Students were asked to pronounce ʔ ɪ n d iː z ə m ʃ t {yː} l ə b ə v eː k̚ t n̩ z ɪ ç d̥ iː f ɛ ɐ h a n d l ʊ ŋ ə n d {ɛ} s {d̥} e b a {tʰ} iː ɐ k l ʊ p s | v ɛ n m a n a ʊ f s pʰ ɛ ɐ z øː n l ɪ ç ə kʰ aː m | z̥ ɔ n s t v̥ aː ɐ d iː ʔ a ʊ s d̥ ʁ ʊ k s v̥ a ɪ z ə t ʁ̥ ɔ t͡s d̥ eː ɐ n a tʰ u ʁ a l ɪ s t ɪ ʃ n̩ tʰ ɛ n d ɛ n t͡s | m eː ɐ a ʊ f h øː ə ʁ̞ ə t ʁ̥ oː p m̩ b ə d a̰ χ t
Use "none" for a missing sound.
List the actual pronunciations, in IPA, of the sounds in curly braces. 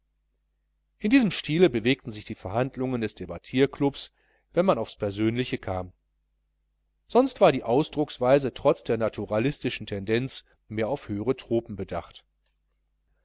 iː, ɛ, d̥, tʰ

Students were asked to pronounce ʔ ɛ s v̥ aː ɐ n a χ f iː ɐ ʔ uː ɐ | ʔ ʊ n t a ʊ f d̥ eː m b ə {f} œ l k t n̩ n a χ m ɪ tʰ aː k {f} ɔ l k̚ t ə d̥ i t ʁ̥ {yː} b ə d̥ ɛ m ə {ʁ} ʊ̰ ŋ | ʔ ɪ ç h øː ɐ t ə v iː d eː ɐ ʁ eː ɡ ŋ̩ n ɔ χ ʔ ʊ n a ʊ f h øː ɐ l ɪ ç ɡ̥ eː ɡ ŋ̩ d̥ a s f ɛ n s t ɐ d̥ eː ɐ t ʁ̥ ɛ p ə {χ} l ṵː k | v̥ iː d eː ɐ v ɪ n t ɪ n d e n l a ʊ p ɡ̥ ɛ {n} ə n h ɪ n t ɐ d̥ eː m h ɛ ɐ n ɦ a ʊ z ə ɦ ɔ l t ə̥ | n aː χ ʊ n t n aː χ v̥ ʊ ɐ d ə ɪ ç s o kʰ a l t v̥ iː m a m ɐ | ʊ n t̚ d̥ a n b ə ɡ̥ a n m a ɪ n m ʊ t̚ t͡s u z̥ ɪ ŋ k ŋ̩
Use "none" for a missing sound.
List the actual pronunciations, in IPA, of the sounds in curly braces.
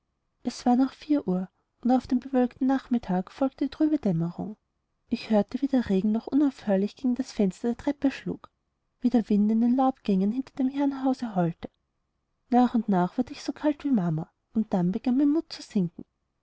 v, f, yː, ʁ, ʃ, ŋ

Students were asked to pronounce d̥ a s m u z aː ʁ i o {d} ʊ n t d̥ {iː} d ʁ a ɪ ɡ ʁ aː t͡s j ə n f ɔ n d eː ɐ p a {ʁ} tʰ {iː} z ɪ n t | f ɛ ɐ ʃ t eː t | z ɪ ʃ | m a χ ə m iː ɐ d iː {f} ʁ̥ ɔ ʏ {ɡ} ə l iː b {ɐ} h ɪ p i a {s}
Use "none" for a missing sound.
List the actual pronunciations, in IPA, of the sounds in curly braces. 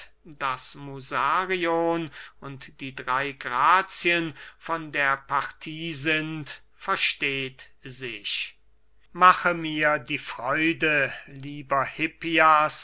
n, iː, ʁ, iː, f, d, ɐ, s

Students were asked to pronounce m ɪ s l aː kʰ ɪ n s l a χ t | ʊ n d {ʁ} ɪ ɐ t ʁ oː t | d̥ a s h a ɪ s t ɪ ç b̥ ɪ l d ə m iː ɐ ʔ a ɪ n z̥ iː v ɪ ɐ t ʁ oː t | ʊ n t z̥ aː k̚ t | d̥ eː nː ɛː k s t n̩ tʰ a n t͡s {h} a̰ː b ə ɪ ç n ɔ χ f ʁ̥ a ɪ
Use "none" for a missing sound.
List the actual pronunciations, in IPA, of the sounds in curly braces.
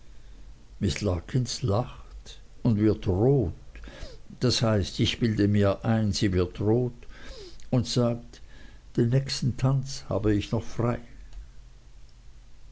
v, h

